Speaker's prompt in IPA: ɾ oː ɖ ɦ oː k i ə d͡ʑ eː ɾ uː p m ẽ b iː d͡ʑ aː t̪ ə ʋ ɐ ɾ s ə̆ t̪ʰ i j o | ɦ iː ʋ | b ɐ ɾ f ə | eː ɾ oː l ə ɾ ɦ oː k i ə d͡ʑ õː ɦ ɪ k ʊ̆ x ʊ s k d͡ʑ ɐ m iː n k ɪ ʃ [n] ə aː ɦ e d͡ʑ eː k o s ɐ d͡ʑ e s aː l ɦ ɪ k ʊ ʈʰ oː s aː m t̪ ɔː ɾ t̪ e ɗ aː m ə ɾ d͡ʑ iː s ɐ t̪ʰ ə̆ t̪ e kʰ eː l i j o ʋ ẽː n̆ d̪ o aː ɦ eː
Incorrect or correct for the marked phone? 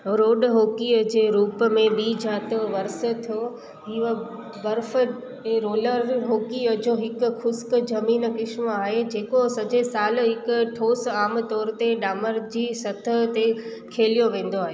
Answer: incorrect: m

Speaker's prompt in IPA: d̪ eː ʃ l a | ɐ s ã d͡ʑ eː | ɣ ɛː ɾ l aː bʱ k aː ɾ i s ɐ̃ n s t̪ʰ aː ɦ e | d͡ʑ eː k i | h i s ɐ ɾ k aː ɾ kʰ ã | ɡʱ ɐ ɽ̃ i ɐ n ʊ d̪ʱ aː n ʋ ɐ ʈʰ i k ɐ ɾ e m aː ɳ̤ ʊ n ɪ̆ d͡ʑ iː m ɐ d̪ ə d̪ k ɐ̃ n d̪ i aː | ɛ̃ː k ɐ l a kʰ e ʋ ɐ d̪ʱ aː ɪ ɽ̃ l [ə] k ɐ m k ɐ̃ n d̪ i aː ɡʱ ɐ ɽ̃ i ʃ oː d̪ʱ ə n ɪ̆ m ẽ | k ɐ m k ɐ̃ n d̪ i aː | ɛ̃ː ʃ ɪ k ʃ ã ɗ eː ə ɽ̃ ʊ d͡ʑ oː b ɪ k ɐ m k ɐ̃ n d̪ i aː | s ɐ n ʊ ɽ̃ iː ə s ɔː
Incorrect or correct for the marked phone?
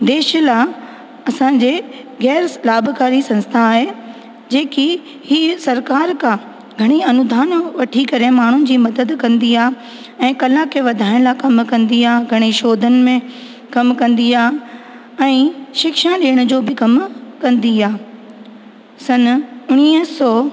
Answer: incorrect: a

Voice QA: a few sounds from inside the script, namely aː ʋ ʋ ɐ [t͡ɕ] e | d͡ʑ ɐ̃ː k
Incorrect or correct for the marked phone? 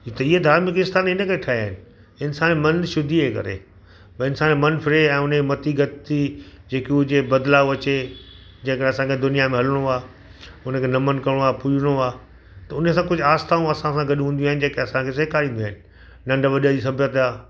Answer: correct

